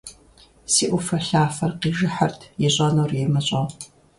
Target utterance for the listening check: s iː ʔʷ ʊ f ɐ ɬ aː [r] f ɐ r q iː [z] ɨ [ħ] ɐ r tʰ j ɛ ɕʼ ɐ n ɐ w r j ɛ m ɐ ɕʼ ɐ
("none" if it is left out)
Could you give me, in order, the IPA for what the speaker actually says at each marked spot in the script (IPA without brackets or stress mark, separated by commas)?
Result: none, ʒ, ħ